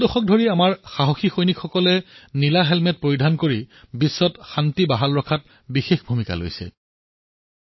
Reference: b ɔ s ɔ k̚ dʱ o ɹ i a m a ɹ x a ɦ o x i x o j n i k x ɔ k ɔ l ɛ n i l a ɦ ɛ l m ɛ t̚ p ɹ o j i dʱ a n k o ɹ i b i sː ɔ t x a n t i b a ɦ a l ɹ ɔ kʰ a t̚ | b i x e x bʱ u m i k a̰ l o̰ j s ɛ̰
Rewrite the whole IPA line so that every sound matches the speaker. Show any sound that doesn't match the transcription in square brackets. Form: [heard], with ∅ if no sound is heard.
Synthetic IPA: [d] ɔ [x] ɔ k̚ dʱ o ɹ i a m a ɹ x a ɦ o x i x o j n i k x ɔ k ɔ l ɛ n i l a ɦ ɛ l m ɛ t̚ p ɹ o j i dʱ a n k o ɹ i b i sː ɔ t x a n t i b a ɦ a l ɹ ɔ kʰ a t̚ | b i x e x bʱ u m i k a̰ l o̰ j s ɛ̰